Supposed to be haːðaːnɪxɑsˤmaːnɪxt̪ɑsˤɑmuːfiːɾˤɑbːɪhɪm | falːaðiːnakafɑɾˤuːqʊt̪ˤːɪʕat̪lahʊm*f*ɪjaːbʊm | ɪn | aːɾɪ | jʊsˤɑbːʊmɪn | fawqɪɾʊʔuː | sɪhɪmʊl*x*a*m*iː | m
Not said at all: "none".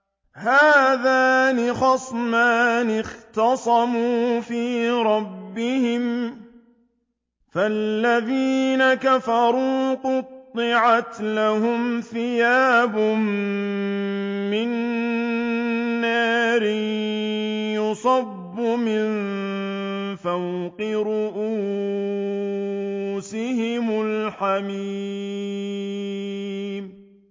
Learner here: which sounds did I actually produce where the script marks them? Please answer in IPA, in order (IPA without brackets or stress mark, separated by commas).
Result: θ, ħ, m